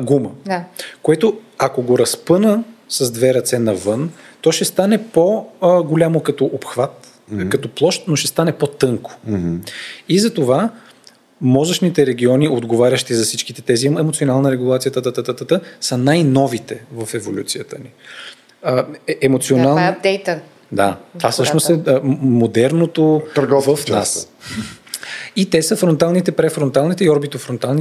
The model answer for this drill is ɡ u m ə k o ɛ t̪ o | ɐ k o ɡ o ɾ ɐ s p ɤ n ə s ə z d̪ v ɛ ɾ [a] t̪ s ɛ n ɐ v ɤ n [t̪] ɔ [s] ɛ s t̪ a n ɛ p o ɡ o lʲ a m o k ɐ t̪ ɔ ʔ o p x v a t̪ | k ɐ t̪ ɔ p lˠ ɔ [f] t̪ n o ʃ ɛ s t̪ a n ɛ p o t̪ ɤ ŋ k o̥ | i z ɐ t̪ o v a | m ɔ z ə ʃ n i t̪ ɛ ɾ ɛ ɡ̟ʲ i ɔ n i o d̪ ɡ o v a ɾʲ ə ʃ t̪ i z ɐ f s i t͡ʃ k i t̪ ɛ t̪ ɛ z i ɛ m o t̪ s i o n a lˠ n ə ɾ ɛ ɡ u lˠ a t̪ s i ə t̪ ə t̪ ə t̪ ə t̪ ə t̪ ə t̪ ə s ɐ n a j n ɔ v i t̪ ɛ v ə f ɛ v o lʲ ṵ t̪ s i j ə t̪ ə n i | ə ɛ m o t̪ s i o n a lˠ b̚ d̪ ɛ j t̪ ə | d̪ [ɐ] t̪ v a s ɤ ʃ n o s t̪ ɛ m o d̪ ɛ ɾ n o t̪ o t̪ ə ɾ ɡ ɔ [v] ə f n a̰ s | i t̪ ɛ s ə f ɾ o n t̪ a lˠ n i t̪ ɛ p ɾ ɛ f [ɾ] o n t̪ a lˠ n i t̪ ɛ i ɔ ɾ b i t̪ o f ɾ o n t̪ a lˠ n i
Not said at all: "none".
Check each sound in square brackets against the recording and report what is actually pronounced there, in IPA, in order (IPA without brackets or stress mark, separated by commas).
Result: ɐ, t̪, ʃ, ʃ, a, v, ɾ